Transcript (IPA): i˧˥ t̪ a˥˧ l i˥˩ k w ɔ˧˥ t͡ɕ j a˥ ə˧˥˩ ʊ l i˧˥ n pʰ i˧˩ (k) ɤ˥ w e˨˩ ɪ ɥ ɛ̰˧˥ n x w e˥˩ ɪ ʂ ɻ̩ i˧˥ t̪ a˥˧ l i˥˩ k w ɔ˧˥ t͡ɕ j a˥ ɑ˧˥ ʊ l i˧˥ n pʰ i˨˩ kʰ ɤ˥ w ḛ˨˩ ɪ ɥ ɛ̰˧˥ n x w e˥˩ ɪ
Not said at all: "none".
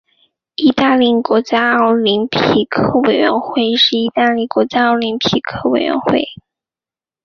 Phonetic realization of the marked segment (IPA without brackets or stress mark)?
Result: kʰ